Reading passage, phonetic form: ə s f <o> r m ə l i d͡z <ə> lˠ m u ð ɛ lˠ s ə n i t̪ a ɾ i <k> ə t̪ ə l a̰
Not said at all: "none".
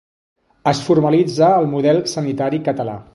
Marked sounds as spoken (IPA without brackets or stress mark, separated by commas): u, əː, k